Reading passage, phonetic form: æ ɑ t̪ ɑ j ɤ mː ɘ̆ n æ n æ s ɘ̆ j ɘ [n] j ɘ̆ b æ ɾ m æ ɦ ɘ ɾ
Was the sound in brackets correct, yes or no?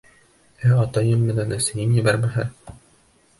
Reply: yes